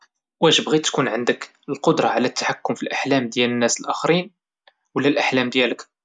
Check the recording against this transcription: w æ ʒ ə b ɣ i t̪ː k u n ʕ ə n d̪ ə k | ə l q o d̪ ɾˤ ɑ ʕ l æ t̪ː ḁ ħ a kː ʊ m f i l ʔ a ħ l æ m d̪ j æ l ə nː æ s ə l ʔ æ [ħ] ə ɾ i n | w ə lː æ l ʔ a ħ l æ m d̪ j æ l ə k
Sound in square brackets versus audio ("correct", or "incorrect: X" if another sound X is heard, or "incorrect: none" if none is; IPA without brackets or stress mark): incorrect: x